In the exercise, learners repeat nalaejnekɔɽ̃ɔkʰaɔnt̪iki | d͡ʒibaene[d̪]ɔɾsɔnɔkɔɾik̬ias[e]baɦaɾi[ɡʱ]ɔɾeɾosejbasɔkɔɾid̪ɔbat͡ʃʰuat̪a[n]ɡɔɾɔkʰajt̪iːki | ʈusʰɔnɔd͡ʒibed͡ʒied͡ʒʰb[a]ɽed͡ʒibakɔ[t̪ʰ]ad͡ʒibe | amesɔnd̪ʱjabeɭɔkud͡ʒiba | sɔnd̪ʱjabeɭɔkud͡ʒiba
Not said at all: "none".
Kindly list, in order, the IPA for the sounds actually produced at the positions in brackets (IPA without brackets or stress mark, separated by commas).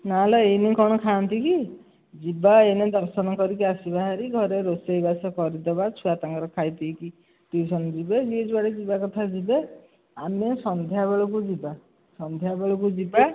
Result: d̪, i, ɡʱ, ŋ, a, t̪ʰ